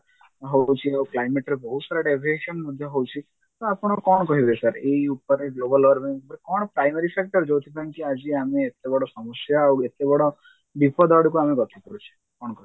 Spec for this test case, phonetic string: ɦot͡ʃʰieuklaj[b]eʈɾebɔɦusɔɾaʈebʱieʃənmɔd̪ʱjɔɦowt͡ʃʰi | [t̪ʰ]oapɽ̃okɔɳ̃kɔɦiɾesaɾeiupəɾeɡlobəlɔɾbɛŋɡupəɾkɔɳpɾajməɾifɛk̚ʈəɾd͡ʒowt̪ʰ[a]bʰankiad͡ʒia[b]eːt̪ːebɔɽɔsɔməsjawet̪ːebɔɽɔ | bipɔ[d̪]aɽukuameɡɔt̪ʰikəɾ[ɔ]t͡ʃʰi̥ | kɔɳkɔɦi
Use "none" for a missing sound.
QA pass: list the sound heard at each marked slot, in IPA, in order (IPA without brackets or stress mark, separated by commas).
m, t̪, i, m, d̪, u